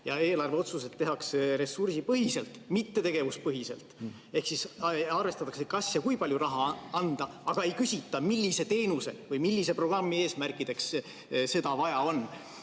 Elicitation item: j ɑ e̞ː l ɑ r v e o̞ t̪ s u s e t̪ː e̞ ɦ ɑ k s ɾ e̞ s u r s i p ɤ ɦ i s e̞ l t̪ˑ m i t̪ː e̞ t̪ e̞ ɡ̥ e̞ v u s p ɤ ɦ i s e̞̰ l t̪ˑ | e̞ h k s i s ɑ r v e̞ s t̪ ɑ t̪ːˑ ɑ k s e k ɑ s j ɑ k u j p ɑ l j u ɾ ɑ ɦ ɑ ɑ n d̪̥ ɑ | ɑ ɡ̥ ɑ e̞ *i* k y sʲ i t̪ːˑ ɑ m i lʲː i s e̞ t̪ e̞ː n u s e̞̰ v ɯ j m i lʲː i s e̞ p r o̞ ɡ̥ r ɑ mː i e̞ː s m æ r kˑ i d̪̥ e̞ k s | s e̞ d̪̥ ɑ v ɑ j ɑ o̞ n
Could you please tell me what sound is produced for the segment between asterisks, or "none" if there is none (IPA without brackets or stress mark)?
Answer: j